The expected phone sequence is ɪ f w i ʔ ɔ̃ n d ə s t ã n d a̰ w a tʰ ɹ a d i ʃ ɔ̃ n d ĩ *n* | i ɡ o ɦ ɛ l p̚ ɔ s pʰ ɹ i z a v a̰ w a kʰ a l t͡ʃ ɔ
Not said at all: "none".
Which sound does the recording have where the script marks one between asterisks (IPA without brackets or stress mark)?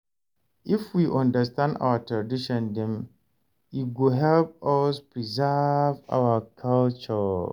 m